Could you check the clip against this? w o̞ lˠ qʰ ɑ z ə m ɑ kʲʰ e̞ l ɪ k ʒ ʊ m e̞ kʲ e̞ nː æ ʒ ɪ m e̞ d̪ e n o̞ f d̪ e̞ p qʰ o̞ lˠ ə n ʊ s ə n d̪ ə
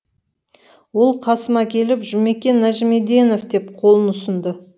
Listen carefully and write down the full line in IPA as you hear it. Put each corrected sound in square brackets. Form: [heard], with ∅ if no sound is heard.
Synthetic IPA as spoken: w o̞ lˠ qʰ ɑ [s] ə m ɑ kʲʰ e̞ l ɪ [p] ʒ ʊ m e̞ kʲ e̞ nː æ ʒ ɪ m e̞ d̪ e n o̞ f d̪ e̞ p qʰ o̞ lˠ ə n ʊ s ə n d̪ ə